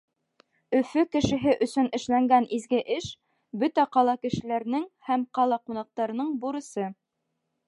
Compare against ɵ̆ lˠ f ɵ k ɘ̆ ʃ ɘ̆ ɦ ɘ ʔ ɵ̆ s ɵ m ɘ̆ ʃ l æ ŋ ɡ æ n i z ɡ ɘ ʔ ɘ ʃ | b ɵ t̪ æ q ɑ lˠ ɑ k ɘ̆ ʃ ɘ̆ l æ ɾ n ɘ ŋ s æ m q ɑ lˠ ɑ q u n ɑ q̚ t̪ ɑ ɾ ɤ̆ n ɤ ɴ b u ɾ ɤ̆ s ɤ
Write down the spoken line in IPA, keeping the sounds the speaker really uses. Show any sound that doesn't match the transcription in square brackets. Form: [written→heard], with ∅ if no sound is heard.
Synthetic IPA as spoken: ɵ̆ [lˠ→∅] f ɵ k ɘ̆ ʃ ɘ̆ ɦ ɘ ʔ ɵ̆ s ɵ [m→n] ɘ̆ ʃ l æ ŋ ɡ æ n i z ɡ ɘ ʔ ɘ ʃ | b ɵ t̪ æ q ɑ lˠ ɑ k ɘ̆ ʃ ɘ̆ l æ ɾ n ɘ ŋ [s→h] æ m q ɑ lˠ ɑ q u n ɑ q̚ t̪ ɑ ɾ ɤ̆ n ɤ ɴ b u ɾ ɤ̆ s ɤ

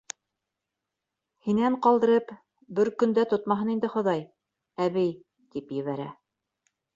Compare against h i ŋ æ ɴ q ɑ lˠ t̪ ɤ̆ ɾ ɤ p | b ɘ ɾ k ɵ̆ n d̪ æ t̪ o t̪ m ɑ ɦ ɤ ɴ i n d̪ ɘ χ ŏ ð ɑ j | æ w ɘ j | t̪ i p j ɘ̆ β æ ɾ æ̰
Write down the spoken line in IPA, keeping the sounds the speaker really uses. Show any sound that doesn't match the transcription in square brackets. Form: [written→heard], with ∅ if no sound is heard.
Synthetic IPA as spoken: h i [ŋ→n] æ ɴ q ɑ lˠ [t̪→d̪] ɤ̆ ɾ ɤ p | b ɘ ɾ k ɵ̆ n d̪ æ t̪ o t̪ m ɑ ɦ ɤ [ɴ→n] i n d̪ ɘ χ ŏ ð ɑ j | æ [w→β] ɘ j | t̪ i p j ɘ̆ β æ ɾ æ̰

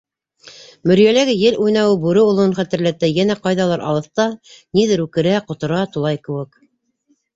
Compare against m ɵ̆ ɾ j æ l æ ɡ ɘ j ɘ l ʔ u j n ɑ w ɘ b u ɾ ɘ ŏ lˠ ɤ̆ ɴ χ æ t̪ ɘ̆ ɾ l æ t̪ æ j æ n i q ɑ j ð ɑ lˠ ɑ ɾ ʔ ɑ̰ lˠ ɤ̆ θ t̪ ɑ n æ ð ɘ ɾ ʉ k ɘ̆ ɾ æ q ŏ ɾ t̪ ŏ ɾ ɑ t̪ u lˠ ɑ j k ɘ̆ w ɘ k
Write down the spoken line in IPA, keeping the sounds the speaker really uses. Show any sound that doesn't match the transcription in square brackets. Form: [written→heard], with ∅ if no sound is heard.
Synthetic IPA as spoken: m ɵ̆ ɾ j æ l æ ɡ ɘ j ɘ l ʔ u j n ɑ w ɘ b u ɾ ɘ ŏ lˠ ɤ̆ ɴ χ æ t̪ ɘ̆ ɾ l æ t̪ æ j æ n [i→æ] q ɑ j ð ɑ lˠ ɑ ɾ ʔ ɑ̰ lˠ ɤ̆ θ t̪ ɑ n [æ→i] ð ɘ ɾ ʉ k ɘ̆ ɾ æ q ŏ [ɾ→∅] t̪ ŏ ɾ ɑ t̪ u lˠ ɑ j k ɘ̆ w ɘ k

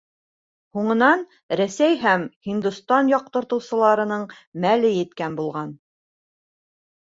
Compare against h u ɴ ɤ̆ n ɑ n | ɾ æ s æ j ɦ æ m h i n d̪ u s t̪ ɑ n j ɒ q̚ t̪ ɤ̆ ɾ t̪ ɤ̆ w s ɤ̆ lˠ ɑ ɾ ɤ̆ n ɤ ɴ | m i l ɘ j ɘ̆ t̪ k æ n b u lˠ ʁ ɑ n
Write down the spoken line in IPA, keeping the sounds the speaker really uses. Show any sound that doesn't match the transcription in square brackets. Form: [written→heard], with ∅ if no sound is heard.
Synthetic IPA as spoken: h u ɴ ɤ̆ n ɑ n | ɾ æ s æ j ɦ æ m h i n d̪ u s t̪ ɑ n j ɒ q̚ t̪ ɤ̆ ɾ t̪ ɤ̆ w s ɤ̆ lˠ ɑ ɾ ɤ̆ n ɤ ɴ | m [i→æ] l ɘ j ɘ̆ t̪ k æ n b u lˠ ʁ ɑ n

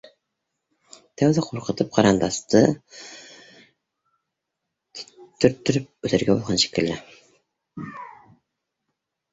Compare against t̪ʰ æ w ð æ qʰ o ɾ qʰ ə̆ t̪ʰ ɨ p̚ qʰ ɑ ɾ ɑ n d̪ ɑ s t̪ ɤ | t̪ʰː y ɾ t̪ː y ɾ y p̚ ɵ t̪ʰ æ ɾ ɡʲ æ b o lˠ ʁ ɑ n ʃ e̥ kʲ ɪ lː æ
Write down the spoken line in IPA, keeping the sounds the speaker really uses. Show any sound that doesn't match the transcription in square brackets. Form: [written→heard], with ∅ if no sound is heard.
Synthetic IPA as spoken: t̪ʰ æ w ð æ qʰ o ɾ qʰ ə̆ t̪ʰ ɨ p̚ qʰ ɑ ɾ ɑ n d̪ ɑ s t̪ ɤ | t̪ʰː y ɾ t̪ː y ɾ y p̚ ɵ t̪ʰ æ ɾ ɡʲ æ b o lˠ ʁ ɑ n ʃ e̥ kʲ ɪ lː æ

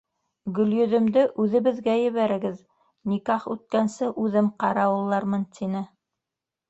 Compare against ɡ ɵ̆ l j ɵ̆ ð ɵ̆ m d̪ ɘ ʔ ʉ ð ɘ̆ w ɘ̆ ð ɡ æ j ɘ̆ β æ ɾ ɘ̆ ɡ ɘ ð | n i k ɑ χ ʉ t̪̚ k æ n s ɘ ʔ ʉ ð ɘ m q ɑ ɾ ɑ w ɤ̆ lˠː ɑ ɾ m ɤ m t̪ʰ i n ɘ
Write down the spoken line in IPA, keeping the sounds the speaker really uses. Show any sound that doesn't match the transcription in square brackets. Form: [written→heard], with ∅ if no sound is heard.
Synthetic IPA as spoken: ɡ ɵ̆ l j ɵ̆ ð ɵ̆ m d̪ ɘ ʔ ʉ ð ɘ̆ [w→β] ɘ̆ ð ɡ æ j ɘ̆ β æ ɾ ɘ̆ ɡ ɘ ð | n i k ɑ χ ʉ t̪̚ k æ n s ɘ ʔ ʉ ð ɘ m q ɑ ɾ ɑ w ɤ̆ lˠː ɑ ɾ m ɤ [m→n] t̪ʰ i n ɘ

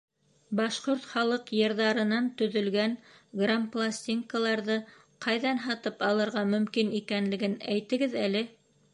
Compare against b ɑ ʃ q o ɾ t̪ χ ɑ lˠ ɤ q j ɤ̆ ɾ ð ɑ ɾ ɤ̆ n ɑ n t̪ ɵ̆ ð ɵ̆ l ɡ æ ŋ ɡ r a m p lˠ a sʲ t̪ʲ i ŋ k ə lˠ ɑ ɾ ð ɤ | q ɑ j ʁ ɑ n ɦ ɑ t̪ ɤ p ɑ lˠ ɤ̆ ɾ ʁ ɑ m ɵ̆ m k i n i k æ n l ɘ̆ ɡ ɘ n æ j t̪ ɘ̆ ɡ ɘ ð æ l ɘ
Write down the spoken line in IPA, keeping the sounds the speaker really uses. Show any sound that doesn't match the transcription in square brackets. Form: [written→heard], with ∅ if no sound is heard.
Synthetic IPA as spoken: b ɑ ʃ q o ɾ t̪ χ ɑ lˠ ɤ q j ɤ̆ ɾ ð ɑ ɾ ɤ̆ n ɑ n t̪ ɵ̆ ð ɵ̆ l ɡ æ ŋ ɡ r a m p lˠ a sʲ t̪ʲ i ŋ k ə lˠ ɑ ɾ ð ɤ | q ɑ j [ʁ→ð] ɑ n ɦ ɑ t̪ ɤ p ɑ lˠ ɤ̆ ɾ ʁ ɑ m ɵ̆ m k i n i k æ n l ɘ̆ ɡ ɘ n æ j t̪ ɘ̆ ɡ ɘ ð æ l ɘ

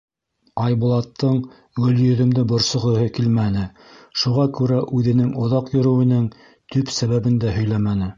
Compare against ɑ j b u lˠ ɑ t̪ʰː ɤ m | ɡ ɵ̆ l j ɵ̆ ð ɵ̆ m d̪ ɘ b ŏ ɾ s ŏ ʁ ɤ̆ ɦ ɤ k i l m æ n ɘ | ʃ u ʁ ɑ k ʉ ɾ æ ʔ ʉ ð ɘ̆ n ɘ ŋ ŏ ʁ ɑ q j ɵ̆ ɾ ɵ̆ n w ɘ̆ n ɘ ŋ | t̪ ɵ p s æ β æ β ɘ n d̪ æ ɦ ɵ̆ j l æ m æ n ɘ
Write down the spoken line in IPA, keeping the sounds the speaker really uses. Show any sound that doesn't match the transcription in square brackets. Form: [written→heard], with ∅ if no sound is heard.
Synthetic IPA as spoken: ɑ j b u lˠ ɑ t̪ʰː ɤ [m→ɴ] | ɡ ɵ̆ l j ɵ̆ ð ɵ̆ m d̪ ɘ b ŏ ɾ s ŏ ʁ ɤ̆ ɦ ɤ k i l m æ n ɘ | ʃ u ʁ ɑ k ʉ ɾ æ ʔ ʉ ð ɘ̆ n ɘ ŋ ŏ [ʁ→ð] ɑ q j ɵ̆ ɾ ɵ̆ [n→∅] w ɘ̆ n ɘ ŋ | t̪ ɵ p s æ β æ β ɘ n d̪ æ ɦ ɵ̆ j l æ m æ n ɘ

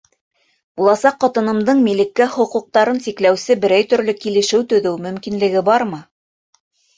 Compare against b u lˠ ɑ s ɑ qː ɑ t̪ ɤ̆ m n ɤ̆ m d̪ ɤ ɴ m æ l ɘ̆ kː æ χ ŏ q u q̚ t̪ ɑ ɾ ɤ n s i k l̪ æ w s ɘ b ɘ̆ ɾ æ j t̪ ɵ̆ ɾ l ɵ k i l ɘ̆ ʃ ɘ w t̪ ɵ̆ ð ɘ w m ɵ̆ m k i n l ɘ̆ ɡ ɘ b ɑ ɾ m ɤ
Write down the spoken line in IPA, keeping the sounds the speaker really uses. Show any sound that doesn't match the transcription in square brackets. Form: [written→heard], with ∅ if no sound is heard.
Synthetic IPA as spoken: b u lˠ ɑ s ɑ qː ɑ t̪ ɤ̆ [m→∅] n ɤ̆ m d̪ ɤ ɴ m [æ→i] l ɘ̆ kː æ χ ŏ q u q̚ t̪ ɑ ɾ ɤ n s i k l̪ æ w s ɘ b ɘ̆ ɾ æ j t̪ ɵ̆ ɾ l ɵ k i l ɘ̆ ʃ ɘ w t̪ ɵ̆ ð ɘ w m ɵ̆ m k i n l ɘ̆ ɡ ɘ b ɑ ɾ m ɤ

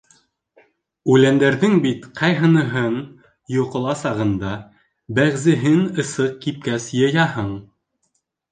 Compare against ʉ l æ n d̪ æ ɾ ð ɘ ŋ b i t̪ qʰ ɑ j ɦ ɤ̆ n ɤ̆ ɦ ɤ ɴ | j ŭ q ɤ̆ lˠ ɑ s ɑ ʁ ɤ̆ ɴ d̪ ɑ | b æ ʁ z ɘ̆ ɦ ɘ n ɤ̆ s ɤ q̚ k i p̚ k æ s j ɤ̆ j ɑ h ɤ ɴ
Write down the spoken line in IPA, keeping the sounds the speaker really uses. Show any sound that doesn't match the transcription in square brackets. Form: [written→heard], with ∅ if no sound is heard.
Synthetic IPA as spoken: ʉ l æ n d̪ æ ɾ ð ɘ ŋ b i t̪ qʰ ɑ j ɦ ɤ̆ n ɤ̆ ɦ ɤ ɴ | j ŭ q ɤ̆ lˠ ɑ s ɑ ʁ ɤ̆ [ɴ→n] d̪ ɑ | b æ ʁ z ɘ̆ ɦ ɘ n ɤ̆ s ɤ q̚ k i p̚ k æ s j ɤ̆ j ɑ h ɤ ɴ

